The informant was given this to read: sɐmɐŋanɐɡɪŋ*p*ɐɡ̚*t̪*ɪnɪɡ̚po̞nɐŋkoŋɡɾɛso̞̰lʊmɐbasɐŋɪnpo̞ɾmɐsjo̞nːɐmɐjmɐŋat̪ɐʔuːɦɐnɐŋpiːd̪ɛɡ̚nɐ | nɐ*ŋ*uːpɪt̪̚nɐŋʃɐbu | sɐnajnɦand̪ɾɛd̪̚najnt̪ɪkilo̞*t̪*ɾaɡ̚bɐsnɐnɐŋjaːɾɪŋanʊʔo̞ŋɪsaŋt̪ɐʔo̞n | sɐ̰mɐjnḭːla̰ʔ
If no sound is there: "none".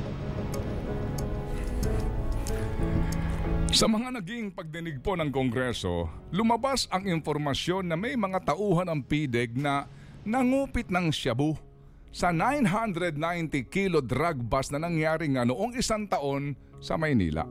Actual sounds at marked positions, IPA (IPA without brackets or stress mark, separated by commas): p, d̪, ŋ, d̪